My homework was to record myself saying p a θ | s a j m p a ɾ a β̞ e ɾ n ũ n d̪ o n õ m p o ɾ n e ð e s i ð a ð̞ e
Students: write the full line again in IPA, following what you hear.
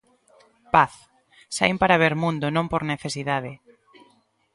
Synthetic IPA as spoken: p a θ | s a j m p a ɾ a β̞ e ɾ m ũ n d̪ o n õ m p o ɾ n e θ e s i ð a ð̞ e